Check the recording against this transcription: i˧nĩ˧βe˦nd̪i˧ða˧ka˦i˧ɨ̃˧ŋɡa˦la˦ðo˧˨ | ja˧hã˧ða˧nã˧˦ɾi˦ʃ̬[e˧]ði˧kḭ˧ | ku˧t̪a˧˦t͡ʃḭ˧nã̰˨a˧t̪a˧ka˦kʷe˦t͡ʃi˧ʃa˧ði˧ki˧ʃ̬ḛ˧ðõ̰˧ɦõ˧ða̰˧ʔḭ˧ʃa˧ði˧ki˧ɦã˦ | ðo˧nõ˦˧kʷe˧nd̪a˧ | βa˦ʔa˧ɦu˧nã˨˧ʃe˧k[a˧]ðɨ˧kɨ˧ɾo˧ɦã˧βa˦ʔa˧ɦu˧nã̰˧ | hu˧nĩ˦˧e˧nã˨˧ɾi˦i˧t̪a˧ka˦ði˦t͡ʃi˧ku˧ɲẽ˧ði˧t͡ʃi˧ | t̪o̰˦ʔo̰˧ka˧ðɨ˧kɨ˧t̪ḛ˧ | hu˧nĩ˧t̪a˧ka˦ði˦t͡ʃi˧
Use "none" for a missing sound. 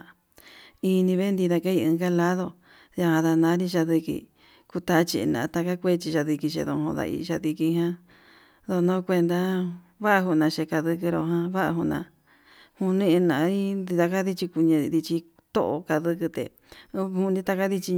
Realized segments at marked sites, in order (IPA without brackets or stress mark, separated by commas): a˧, a˧